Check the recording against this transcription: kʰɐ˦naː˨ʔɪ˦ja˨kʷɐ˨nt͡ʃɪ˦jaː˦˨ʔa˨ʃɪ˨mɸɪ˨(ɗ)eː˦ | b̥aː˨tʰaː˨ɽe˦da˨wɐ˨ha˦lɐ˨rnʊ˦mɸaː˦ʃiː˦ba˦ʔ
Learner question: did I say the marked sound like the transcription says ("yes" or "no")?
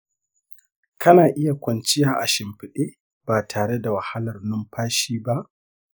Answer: yes